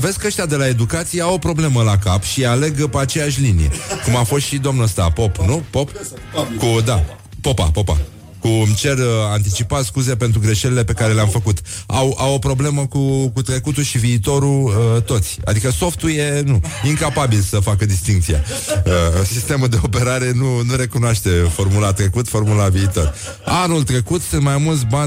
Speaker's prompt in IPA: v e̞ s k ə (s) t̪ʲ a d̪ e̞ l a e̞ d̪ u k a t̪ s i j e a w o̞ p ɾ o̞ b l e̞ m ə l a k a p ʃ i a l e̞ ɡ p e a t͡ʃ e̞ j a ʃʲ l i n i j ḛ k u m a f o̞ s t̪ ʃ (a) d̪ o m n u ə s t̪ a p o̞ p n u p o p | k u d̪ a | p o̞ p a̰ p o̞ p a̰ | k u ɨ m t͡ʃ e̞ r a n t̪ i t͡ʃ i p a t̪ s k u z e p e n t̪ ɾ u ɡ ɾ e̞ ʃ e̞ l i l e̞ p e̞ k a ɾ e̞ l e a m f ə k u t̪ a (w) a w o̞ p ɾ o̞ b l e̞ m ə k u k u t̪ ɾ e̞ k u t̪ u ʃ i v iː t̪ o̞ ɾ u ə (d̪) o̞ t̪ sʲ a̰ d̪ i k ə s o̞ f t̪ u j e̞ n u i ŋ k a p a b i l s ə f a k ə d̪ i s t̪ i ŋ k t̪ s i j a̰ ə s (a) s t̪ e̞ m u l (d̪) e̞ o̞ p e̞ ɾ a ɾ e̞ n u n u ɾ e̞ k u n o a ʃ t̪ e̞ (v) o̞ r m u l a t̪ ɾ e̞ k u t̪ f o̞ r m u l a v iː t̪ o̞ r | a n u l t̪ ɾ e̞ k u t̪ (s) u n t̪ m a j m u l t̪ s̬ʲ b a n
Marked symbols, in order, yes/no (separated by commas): no, no, yes, no, no, yes, no, yes